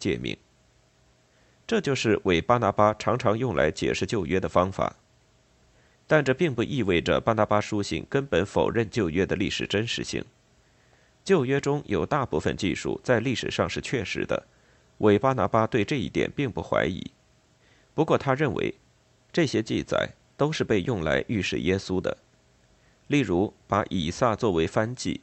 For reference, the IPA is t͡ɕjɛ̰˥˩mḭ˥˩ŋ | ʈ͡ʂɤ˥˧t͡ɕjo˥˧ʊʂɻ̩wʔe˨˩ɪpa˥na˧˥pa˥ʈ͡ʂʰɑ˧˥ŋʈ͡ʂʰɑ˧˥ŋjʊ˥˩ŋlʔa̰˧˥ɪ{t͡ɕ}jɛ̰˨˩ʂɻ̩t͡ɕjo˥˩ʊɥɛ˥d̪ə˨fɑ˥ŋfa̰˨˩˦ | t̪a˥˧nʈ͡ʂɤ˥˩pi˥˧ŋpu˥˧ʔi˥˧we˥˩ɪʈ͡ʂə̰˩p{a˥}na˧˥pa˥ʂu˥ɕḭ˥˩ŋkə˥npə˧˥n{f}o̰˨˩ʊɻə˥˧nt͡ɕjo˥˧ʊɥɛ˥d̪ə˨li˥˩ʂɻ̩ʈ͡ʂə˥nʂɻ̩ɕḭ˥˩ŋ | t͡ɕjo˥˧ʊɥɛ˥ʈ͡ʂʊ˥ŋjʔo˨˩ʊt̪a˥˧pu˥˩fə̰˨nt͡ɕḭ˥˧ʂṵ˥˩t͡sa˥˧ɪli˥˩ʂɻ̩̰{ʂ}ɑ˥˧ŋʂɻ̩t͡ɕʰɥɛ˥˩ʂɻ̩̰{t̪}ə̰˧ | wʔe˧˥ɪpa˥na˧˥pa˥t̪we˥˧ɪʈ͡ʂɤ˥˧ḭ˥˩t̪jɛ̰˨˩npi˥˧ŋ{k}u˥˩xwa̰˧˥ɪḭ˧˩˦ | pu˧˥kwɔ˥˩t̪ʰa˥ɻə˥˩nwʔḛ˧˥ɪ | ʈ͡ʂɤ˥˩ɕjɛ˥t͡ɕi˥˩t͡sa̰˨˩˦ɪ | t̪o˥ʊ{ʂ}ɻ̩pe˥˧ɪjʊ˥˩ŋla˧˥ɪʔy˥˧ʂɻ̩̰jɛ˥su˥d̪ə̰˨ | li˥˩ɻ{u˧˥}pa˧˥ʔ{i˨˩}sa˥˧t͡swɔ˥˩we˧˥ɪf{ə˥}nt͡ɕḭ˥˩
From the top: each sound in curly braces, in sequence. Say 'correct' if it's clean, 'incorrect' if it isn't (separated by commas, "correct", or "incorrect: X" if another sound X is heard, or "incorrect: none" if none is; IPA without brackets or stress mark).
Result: correct, correct, correct, correct, incorrect: d̪, incorrect: p, correct, correct, correct, incorrect: a˥